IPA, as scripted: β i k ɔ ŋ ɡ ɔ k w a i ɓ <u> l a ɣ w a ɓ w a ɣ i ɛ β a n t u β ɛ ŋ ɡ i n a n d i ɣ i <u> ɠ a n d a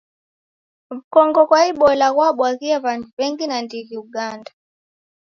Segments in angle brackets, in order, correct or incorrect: incorrect, correct

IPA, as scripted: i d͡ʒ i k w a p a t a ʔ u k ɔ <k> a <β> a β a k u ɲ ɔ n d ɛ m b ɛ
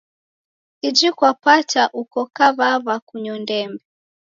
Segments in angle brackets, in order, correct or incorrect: correct, correct

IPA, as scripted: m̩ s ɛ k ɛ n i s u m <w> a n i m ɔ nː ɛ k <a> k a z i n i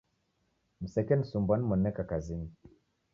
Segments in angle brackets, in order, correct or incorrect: incorrect, correct

